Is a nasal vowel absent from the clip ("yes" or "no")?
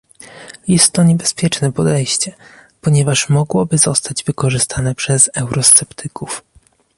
yes